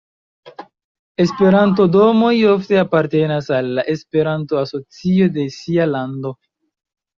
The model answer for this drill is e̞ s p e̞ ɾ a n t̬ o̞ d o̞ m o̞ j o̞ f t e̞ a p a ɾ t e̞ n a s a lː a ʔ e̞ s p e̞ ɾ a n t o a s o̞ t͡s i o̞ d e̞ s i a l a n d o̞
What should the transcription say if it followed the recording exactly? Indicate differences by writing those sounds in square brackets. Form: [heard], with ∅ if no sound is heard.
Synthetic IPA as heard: e̞ s p e̞ ɾ a n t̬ o̞ d o̞ m o̞ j o̞ f t e̞ a p a ɾ t e̞ n a s a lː a ʔ e̞ s p e̞ ɾ a n t o a s o̞ t͡s i o̞ d e̞ s i a l a n d o̞